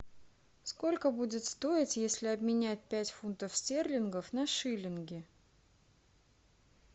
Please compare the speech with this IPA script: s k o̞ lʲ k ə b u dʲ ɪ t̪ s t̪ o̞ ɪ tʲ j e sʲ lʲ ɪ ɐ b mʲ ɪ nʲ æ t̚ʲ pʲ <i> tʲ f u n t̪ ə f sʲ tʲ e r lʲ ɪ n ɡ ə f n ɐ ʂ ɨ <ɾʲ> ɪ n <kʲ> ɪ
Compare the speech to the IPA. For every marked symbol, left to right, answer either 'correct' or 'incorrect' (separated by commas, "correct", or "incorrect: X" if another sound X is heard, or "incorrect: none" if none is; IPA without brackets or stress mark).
incorrect: æ, incorrect: lʲ, incorrect: ɡʲ